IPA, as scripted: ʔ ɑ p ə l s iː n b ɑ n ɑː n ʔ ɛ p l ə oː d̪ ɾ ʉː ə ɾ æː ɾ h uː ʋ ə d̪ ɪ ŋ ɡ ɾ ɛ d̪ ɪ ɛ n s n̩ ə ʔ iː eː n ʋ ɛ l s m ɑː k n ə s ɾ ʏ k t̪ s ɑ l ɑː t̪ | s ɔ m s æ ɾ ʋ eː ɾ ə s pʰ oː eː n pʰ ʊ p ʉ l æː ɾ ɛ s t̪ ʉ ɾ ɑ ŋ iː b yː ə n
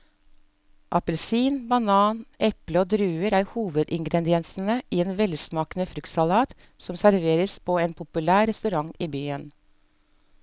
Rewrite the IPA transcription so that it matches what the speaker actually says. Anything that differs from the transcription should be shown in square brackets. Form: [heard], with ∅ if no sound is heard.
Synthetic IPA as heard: ʔ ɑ p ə l s iː n b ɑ n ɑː n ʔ ɛ p l ə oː d̪ ɾ ʉː ə ɾ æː ɾ h uː ʋ ə d̪ ɪ ŋ ɡ ɾ ɛ d̪ ɪ ɛ n s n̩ ə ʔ iː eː n ʋ ɛ l s m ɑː k n ə [f] ɾ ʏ k t̪ s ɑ l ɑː t̪ | s ɔ m s æ ɾ ʋ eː ɾ ə s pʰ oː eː n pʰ ʊ p ʉ l æː ɾ ɛ s t̪ ʉ ɾ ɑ ŋ iː b yː ə n